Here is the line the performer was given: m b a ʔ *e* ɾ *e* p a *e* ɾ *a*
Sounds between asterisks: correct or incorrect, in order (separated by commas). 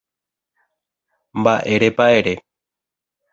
correct, correct, correct, incorrect